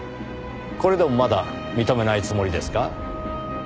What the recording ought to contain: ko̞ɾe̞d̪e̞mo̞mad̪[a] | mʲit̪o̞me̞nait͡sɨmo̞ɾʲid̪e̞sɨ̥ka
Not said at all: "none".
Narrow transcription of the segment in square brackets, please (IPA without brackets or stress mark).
a